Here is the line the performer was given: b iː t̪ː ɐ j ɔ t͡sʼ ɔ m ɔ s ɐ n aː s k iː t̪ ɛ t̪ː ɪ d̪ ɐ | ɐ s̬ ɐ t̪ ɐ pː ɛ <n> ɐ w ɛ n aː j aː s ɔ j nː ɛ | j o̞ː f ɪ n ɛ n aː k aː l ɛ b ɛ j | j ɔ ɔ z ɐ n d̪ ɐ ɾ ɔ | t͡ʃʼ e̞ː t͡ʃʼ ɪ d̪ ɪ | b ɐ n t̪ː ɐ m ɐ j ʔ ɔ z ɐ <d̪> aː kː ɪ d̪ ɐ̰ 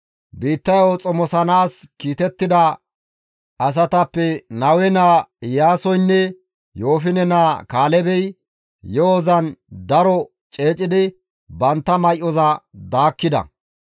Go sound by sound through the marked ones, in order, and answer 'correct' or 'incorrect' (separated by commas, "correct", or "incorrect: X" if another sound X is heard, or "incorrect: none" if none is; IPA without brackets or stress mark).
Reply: correct, correct